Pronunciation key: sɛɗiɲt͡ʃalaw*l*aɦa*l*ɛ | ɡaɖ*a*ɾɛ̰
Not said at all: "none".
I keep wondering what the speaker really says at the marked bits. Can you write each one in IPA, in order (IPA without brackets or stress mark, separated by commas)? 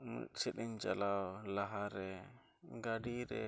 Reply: l, ɾ, i